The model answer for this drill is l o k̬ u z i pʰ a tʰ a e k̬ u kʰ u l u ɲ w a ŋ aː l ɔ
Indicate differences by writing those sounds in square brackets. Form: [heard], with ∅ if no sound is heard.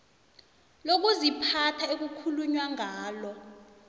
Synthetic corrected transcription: l o k̬ u z i pʰ a tʰ a e k̬ u kʰ u l u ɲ w a ŋ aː l ɔ